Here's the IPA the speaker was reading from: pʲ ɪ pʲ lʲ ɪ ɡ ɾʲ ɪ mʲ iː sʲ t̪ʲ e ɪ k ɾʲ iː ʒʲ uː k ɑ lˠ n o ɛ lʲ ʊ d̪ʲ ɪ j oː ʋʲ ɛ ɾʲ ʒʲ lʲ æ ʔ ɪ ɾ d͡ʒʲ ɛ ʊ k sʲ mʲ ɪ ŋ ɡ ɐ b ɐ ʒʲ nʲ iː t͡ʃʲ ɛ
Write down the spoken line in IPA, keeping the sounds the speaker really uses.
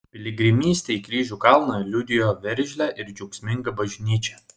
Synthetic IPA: pʲ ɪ lʲ ɪ ɡ ɾʲ ɪ mʲ iː sʲ t̪ʲ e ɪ k ɾʲ iː ʒʲ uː k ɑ lˠ n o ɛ lʲ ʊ d̪ʲ ɪ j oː ʋʲ ɛ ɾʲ ʒʲ lʲ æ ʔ ɪ ɾ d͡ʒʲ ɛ ʊ k sʲ mʲ ɪ ŋ ɡ ɐ b ɐ ʒʲ nʲ iː t͡ʃʲ ɛ